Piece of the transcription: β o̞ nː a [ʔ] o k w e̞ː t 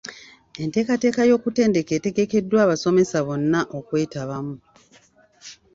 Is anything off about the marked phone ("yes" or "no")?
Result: no